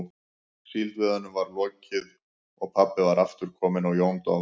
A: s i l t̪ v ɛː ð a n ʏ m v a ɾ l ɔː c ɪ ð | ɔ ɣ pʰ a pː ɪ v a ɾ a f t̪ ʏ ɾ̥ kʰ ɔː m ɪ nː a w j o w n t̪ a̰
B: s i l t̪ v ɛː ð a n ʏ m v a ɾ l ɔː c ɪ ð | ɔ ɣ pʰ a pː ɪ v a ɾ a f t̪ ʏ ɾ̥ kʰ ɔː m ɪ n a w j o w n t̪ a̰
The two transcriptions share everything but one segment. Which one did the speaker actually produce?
B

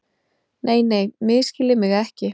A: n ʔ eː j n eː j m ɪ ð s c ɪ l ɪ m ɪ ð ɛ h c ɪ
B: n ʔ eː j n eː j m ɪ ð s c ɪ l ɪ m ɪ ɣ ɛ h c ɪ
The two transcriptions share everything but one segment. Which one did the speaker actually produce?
B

